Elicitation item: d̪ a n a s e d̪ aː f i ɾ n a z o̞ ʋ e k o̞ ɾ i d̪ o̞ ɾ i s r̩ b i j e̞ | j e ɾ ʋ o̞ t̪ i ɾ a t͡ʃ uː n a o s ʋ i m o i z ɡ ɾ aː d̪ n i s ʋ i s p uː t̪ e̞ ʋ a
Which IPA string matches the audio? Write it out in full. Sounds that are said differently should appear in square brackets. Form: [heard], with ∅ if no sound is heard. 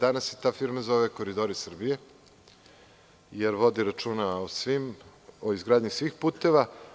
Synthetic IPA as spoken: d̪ a n a s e [t̪] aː f i ɾ [m] a z o̞ ʋ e k o̞ ɾ i d̪ o̞ ɾ i s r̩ b i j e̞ | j e ɾ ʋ o̞ [d̪] i ɾ a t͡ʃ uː n a o s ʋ i m o i z ɡ ɾ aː d̪ [ɲ] i s ʋ i [x] p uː t̪ e̞ ʋ a

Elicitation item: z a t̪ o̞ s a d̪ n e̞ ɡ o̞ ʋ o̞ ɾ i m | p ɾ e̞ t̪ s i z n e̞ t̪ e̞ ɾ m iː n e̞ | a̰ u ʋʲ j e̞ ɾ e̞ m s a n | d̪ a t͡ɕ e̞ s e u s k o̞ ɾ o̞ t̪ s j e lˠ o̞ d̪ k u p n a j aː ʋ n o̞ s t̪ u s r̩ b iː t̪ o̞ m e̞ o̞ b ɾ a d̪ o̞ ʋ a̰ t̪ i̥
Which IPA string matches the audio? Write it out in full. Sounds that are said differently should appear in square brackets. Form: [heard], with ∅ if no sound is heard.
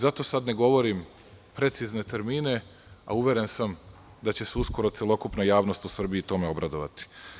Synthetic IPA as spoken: z a t̪ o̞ s a d̪ n e̞ ɡ o̞ ʋ o̞ ɾ i m | p ɾ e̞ t̪ s i z n e̞ t̪ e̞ ɾ m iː n e̞ | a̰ u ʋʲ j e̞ ɾ e̞ [n] s a [m] | d̪ a t͡ɕ e̞ s e u s k o̞ ɾ o̞ t̪ s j e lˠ o̞ [∅] k u p n a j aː ʋ n o̞ s t̪ u s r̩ b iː t̪ o̞ m e̞ o̞ b ɾ a d̪ o̞ ʋ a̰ t̪ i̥

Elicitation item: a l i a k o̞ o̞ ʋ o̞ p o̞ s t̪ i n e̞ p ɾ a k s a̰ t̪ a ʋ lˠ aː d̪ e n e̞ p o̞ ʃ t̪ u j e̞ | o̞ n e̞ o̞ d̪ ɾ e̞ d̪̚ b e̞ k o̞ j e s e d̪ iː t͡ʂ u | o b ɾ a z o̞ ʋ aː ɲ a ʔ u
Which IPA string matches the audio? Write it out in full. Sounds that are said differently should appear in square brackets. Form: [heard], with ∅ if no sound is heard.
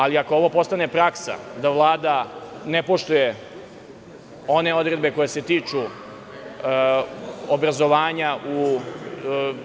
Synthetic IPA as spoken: a l i a k o̞ o̞ ʋ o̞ p o̞ s t̪ [a] n e̞ p ɾ a k s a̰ [d̪] a ʋ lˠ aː d̪ [a] n e̞ p o̞ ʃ t̪ u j e̞ | o̞ n e̞ o̞ d̪ ɾ e̞ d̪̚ b e̞ k o̞ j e s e [t̪] iː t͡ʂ u | o b ɾ a z o̞ ʋ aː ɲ a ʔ u

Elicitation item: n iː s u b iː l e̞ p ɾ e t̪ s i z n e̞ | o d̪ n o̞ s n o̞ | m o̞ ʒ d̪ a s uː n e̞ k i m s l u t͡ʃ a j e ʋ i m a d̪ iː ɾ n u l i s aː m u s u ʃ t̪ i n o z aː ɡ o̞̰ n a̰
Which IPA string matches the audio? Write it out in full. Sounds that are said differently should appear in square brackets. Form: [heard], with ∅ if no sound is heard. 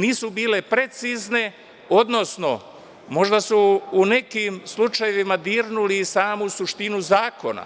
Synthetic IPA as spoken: n iː s u b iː l e̞ p ɾ e t̪ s i z n e̞ | o d̪ n o̞ s n o̞ | m o̞ ʒ d̪ a s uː n e̞ k i m s l u t͡ʃ a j e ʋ i m a d̪ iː ɾ n u l i s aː m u s u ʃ t̪ i n [u] z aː [k] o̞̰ n a̰

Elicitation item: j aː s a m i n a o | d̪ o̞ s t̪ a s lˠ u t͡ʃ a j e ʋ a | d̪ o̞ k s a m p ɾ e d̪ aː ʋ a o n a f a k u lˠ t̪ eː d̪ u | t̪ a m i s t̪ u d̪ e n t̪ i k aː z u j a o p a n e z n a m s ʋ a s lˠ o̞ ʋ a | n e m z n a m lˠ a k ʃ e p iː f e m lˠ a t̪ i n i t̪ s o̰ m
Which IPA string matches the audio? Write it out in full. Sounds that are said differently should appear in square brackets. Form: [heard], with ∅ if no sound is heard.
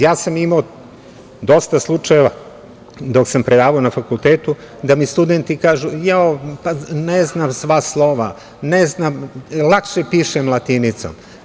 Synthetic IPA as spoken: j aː s a m i [m] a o | d̪ o̞ s t̪ a s lˠ u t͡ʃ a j e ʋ a | d̪ o̞ k s a m p ɾ e d̪ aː ʋ a o n a f a k u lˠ t̪ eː [t̪] u | [d̪] a m i s t̪ u d̪ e n t̪ i k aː [ʒ] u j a o p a n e z n a m s ʋ a s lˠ o̞ ʋ a | n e [∅] z n a m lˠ a k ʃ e p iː [ʃ] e m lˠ a t̪ i n i t̪ s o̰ m

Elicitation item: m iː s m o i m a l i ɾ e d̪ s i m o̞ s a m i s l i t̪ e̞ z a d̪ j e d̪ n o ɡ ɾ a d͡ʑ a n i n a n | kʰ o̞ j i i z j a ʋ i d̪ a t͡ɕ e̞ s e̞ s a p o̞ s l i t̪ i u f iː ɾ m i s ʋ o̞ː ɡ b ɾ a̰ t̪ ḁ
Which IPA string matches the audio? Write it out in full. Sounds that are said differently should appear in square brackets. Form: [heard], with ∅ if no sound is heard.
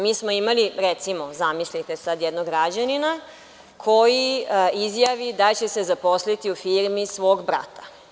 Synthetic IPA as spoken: m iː s m o i m a l i ɾ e [t̪] s i m o̞ [z] a m i s l i t̪ e̞ [s] a d̪ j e d̪ n o ɡ ɾ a d͡ʑ a n i n a [∅] | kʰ o̞ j i i z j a ʋ i d̪ a t͡ɕ e̞ s e̞ [z] a p o̞ s l i t̪ i u f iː ɾ m i s ʋ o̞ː ɡ b ɾ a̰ t̪ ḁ

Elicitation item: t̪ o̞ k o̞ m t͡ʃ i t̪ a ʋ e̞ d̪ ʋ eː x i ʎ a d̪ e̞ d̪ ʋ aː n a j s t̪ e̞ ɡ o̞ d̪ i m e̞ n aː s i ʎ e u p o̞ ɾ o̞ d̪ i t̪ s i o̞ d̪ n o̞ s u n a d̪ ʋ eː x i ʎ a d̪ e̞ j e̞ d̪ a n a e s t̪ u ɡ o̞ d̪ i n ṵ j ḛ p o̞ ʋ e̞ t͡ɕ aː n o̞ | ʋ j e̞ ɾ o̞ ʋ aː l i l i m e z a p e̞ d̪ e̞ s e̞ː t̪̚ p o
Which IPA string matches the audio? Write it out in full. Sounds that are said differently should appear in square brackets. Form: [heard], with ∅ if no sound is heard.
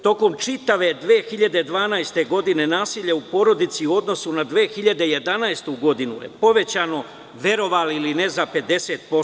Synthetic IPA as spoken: t̪ o̞ k o̞ m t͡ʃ i t̪ a ʋ e̞ d̪ ʋ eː x i ʎ a d̪ e̞ d̪ ʋ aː n a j s t̪ e̞ ɡ o̞ d̪ i [n] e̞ n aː s i ʎ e u p o̞ ɾ o̞ d̪ i t̪ s i o̞ d̪ n o̞ s u n a d̪ ʋ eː x i ʎ a d̪ e̞ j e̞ d̪ a n a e s t̪ u ɡ o̞ d̪ i n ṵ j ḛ p o̞ ʋ e̞ t͡ɕ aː n o̞ | ʋ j e̞ ɾ o̞ ʋ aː l i l i [n] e z a p e̞ d̪ e̞ s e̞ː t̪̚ p o

